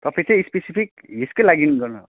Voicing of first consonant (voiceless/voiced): voiceless